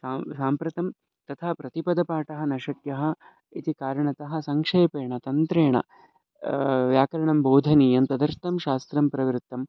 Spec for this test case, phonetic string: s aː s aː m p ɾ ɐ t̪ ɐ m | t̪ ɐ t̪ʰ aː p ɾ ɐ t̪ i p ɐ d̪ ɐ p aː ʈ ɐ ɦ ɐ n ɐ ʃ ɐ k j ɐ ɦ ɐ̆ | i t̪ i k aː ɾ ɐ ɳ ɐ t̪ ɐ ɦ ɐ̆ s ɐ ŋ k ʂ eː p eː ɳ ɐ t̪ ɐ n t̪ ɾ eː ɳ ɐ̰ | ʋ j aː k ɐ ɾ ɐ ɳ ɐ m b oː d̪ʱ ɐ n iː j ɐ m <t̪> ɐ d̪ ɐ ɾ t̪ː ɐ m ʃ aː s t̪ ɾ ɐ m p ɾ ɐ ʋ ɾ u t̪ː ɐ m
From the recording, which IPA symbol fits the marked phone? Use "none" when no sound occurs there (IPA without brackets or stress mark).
t̪